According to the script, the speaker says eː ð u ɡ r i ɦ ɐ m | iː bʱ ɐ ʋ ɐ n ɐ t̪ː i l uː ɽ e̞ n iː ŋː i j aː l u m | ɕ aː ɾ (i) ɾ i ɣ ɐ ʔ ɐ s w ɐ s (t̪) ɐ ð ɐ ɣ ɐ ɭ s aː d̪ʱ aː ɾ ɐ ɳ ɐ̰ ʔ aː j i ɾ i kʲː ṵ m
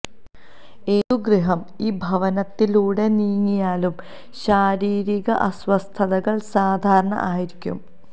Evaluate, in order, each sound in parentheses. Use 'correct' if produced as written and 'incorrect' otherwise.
incorrect, incorrect

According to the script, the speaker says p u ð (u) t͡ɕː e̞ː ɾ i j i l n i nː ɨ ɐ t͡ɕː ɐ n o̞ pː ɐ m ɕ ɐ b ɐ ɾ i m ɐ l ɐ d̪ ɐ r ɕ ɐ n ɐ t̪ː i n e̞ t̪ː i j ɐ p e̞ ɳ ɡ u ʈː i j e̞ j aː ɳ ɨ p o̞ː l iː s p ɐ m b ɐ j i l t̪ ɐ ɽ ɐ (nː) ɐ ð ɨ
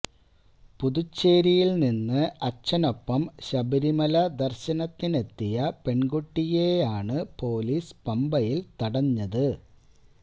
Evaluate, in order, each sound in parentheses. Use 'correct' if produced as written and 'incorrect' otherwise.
correct, incorrect

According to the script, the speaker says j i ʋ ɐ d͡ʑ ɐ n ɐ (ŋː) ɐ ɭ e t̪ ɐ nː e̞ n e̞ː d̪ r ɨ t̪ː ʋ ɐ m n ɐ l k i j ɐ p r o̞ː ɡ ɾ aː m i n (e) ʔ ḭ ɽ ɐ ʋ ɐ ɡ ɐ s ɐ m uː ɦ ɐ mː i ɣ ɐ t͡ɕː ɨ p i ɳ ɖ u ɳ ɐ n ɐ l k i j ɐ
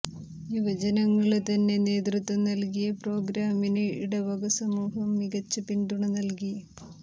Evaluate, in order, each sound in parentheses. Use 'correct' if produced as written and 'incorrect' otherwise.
correct, correct

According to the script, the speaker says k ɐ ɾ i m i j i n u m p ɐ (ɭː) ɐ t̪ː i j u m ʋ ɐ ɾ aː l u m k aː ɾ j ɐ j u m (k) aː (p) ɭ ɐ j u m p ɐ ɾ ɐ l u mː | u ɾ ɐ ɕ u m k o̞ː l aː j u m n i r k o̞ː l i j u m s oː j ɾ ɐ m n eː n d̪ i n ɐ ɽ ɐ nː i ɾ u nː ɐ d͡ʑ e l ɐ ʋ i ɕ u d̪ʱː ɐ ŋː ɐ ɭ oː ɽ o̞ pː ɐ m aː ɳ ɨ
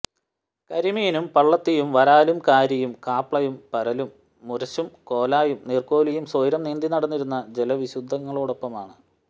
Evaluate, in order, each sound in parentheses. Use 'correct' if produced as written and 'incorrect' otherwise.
correct, correct, correct

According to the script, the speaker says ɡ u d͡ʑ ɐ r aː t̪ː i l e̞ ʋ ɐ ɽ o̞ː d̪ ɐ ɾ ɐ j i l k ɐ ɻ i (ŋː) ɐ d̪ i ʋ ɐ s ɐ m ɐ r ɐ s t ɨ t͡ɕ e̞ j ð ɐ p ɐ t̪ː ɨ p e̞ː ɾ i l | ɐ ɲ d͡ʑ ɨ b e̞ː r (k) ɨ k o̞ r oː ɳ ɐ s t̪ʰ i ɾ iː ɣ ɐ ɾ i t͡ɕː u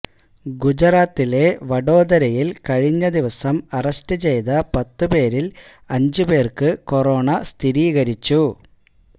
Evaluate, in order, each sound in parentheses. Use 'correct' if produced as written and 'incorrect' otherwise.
incorrect, correct

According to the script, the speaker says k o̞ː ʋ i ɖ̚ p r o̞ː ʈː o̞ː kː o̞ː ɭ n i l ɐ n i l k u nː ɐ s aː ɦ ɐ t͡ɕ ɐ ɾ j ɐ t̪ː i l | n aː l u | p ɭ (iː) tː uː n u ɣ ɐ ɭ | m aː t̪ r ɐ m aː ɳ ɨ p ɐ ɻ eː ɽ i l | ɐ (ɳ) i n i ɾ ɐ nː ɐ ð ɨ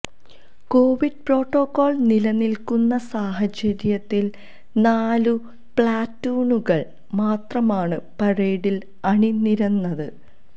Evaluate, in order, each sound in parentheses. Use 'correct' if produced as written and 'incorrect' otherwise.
incorrect, correct

